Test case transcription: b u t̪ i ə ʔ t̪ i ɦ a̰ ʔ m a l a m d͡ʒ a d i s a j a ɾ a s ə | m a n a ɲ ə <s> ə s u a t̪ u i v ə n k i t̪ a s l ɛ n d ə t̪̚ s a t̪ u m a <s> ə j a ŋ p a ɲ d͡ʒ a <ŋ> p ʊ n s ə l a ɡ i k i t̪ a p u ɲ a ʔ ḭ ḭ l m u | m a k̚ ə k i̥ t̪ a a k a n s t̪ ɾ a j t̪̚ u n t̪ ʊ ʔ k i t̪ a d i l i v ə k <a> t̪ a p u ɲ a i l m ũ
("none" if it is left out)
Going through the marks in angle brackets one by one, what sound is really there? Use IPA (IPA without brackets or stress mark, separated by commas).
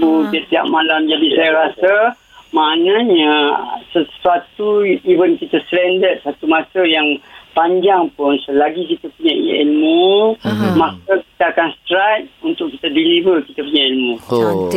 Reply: s, s, ŋ, i